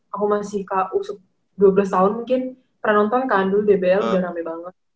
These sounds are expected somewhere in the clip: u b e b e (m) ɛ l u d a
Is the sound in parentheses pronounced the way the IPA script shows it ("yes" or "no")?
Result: no